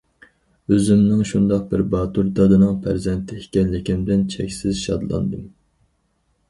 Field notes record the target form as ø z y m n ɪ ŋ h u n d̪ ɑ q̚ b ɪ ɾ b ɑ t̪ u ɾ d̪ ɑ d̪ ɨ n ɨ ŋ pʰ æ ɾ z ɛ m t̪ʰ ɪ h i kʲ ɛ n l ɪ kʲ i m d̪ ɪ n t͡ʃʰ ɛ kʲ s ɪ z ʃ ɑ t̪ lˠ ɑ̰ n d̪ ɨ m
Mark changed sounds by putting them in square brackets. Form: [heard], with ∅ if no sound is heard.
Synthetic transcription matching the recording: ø z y m n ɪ ŋ [ʃ] u n d̪ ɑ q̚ b ɪ ɾ b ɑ t̪ u ɾ d̪ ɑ d̪ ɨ n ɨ ŋ pʰ æ ɾ z ɛ [n] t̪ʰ ɪ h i kʲ ɛ n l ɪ kʲ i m d̪ ɪ n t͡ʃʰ ɛ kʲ s ɪ z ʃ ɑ [d̪] lˠ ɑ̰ n d̪ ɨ m